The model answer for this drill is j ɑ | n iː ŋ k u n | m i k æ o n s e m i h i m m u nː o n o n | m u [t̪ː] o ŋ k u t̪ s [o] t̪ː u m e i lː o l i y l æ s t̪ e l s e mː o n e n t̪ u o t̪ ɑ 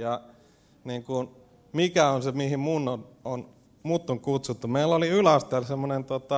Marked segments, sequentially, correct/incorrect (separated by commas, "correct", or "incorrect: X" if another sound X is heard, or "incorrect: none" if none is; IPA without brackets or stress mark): correct, incorrect: u